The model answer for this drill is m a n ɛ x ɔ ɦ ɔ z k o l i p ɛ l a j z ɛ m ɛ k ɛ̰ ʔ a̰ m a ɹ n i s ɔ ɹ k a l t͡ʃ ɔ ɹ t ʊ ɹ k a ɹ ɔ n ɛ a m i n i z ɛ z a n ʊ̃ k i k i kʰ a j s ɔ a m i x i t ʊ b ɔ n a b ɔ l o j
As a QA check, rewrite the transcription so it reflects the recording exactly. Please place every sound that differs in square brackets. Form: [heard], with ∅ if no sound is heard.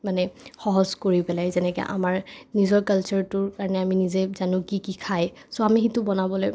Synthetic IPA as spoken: m a n ɛ x ɔ ɦ ɔ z k o [ɹ] i p ɛ l a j z ɛ [n] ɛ k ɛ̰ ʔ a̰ m a ɹ n i [z] ɔ ɹ k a l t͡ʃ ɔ ɹ t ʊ ɹ k a ɹ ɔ n ɛ a m i n i z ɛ z a n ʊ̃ k i k i kʰ a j s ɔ a m i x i t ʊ b ɔ n a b ɔ l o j